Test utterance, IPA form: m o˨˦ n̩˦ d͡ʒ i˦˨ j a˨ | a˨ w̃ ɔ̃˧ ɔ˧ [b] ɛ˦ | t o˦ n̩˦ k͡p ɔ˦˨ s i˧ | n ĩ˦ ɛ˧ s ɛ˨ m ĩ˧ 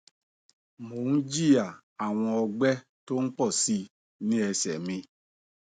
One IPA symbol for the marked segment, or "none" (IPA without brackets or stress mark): ɡ͡b